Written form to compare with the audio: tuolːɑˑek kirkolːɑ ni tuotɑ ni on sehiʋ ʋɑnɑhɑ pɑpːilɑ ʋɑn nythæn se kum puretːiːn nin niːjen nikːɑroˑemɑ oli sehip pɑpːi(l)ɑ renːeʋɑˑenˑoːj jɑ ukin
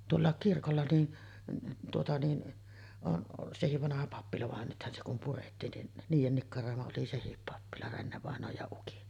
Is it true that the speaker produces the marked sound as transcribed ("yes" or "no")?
yes